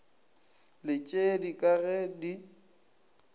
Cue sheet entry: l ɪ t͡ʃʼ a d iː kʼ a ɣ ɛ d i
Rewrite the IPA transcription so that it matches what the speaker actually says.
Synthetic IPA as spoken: l ɪ t͡ʃʼ e d i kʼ a ɣ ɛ d i